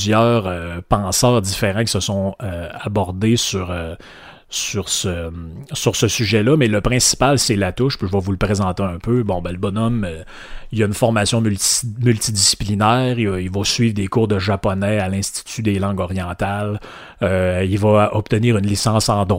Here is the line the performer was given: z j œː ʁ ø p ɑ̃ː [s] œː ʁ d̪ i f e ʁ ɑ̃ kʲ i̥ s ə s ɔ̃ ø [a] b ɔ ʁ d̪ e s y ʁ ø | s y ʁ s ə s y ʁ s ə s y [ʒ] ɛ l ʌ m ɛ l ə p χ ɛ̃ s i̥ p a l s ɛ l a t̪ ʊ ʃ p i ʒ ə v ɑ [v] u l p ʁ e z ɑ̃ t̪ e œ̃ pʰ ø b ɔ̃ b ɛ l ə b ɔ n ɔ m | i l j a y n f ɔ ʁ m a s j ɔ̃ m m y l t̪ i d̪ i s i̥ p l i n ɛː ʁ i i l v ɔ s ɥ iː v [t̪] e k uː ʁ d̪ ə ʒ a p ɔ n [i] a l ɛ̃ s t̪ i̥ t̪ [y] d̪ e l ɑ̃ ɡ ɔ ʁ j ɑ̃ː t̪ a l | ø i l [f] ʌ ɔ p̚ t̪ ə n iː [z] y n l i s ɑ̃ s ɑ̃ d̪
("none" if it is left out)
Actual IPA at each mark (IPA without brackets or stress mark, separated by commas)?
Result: s, a, ʒ, v, d̪, ɛ, y, v, ʁ